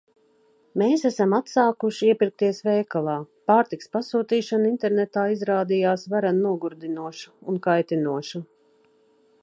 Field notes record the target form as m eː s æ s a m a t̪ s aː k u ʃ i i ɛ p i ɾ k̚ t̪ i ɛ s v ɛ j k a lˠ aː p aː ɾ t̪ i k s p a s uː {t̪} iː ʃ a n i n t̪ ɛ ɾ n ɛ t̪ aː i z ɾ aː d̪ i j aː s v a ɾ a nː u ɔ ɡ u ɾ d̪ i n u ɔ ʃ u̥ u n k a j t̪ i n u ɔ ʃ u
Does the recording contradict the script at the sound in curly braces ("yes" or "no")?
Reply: no